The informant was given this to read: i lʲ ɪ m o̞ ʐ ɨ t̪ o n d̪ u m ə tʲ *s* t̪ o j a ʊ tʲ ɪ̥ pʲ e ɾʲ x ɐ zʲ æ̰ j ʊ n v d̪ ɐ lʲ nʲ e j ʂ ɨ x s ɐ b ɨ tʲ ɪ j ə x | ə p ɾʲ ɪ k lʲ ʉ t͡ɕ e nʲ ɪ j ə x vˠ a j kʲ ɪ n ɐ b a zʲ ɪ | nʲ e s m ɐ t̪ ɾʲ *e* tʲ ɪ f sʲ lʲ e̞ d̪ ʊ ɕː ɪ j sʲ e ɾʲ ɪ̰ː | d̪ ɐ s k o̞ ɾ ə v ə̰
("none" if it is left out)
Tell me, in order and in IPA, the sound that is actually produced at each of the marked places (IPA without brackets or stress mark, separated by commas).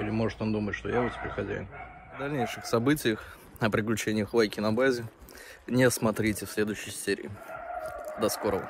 ʂ, i